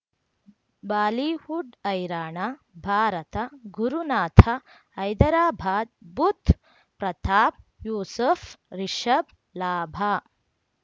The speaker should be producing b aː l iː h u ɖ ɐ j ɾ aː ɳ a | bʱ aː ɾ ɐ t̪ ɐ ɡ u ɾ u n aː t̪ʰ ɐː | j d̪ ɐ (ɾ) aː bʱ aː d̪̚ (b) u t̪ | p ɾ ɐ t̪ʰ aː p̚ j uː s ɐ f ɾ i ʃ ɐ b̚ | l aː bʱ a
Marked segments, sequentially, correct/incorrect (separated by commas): correct, correct